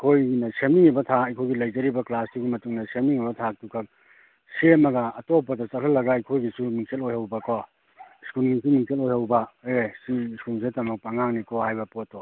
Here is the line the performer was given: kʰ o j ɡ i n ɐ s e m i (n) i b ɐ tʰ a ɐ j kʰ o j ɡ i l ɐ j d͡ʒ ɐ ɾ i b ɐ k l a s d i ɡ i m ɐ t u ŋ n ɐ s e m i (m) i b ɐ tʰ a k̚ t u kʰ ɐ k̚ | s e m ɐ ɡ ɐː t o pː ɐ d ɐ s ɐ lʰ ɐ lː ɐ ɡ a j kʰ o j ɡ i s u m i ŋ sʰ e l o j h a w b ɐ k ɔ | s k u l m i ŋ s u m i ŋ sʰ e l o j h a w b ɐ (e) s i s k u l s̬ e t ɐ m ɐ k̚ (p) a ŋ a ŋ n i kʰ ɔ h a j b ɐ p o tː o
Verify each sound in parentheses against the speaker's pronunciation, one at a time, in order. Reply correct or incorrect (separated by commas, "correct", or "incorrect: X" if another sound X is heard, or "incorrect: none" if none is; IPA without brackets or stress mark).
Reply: incorrect: ŋ, incorrect: ŋ, correct, correct